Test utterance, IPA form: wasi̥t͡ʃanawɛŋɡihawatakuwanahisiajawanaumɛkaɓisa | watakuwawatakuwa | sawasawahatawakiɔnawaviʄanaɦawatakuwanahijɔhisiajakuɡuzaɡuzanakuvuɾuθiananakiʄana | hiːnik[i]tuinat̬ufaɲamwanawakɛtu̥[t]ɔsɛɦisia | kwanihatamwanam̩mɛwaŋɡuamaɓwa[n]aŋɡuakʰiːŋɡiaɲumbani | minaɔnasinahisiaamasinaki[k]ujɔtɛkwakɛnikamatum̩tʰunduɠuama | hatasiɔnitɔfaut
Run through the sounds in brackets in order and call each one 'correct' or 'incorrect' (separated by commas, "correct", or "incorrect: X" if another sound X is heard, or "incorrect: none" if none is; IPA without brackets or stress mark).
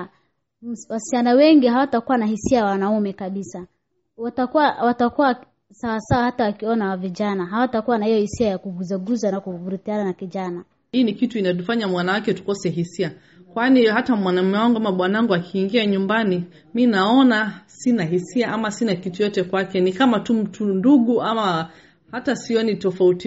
correct, incorrect: k, correct, incorrect: t